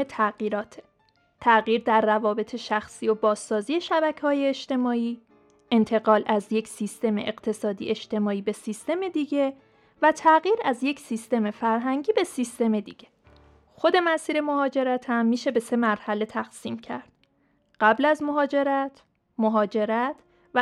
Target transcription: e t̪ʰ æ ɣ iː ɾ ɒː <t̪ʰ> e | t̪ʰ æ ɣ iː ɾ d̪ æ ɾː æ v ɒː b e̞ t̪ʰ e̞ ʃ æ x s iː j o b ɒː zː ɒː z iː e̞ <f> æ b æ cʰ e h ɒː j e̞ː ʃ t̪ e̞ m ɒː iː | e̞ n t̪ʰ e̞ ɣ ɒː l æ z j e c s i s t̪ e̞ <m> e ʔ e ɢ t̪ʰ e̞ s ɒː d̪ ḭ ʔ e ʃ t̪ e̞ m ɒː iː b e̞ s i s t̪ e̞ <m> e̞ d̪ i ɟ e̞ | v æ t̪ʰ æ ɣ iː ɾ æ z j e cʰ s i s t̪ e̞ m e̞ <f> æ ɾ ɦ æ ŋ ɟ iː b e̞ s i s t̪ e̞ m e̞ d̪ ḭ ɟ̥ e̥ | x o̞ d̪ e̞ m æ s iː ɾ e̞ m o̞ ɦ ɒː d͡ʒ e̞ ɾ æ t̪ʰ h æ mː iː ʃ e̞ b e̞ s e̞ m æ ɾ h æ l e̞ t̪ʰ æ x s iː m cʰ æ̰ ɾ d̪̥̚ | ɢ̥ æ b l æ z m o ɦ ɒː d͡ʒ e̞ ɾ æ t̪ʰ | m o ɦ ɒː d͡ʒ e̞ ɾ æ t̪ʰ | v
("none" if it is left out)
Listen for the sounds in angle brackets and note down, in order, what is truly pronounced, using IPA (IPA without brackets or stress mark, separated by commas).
t̪ʰ, ʃ, m, m, f